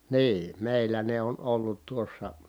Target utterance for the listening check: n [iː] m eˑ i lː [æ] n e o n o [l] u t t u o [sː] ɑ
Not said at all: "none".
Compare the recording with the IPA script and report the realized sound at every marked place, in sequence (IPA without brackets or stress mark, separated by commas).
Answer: iː, æ, lː, sː